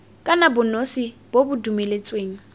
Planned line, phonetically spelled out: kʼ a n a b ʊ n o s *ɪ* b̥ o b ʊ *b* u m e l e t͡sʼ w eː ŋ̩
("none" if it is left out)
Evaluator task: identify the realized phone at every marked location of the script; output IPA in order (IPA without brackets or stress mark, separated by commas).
i, d